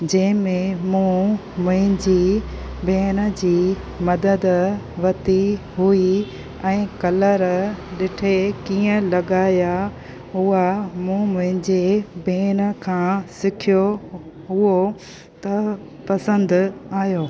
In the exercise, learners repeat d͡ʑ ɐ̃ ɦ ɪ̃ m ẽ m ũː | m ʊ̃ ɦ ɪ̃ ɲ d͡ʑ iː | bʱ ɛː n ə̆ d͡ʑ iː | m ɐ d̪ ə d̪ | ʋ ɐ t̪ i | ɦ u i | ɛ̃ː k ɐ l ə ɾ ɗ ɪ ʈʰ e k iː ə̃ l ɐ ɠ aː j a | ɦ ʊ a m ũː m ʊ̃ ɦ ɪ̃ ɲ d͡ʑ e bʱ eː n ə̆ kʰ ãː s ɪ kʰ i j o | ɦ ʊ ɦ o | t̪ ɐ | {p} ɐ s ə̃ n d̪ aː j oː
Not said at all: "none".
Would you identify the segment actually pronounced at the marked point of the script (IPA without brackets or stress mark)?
p